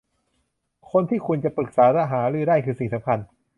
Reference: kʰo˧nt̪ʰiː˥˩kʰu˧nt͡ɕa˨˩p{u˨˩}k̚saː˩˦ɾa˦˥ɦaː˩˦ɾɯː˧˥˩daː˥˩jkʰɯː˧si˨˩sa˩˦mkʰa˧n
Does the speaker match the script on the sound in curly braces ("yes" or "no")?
no